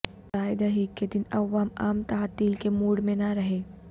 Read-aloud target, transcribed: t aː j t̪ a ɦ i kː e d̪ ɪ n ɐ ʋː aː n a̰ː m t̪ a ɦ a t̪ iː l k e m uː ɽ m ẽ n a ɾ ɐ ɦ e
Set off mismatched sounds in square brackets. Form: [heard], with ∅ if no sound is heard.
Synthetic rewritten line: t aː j [d̪] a ɦ i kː e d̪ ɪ n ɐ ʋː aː [m] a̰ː m t̪ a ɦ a t̪ iː l k e m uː ɽ m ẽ n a ɾ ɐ ɦ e